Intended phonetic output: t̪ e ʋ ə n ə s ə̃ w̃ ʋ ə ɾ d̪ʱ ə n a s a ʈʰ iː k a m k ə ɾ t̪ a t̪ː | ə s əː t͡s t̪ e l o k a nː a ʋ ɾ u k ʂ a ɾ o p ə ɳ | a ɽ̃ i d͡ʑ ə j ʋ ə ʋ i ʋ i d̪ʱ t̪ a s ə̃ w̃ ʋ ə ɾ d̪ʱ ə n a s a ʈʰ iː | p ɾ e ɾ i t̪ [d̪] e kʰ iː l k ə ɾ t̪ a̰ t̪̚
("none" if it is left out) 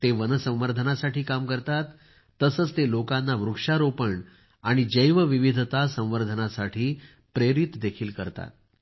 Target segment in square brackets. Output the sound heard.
d̪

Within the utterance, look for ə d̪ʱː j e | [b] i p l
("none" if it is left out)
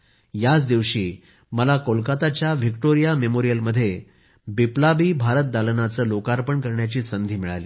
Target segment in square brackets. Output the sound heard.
b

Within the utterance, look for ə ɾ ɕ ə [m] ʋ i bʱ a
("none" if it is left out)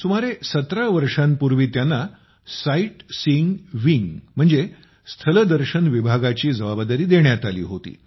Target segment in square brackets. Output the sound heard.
n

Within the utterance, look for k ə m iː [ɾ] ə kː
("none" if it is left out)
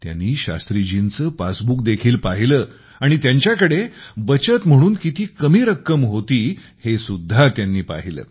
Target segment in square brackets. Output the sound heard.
ɾ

